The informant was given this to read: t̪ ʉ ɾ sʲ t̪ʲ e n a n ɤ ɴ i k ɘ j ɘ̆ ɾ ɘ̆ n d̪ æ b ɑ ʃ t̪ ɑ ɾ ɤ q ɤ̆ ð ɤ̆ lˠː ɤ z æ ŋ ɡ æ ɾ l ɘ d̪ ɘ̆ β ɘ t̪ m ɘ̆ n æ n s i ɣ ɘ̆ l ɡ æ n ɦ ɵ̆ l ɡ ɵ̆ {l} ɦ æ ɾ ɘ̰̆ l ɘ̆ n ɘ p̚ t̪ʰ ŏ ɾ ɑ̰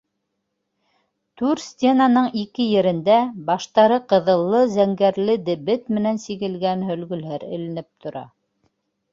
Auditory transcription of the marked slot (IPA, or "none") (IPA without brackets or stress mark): l